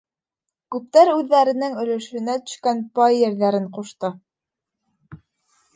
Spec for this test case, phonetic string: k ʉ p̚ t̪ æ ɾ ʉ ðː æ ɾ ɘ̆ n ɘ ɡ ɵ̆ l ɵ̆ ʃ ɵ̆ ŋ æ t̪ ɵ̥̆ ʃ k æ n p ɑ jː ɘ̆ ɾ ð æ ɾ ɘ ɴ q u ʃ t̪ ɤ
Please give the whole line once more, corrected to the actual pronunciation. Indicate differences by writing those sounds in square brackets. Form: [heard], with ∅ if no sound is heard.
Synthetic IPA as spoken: k ʉ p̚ t̪ æ ɾ ʉ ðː æ ɾ ɘ̆ n ɘ [ŋ] ɵ̆ l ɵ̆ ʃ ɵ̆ [n] æ t̪ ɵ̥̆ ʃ k æ n p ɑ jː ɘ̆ ɾ ð æ ɾ ɘ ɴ q u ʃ t̪ ɤ